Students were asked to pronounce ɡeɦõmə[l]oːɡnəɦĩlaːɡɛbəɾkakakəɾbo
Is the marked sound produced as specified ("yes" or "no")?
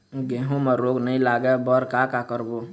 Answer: no